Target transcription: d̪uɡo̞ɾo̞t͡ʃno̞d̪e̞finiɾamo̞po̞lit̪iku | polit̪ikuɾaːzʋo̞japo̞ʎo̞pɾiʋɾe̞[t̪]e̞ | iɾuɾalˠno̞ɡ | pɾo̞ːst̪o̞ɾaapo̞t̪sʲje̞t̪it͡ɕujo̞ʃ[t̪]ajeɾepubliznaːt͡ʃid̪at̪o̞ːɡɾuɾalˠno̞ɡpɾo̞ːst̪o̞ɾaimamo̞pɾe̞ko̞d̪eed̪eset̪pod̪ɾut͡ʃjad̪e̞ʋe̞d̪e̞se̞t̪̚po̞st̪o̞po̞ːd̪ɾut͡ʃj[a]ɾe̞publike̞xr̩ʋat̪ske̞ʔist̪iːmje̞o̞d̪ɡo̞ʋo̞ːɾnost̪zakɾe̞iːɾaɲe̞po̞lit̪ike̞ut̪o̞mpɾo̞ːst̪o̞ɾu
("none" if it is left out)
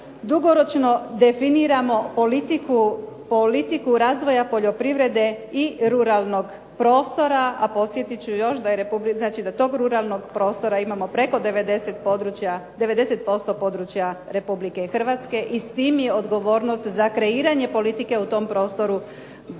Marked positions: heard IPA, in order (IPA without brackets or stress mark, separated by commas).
d̪, d̪, a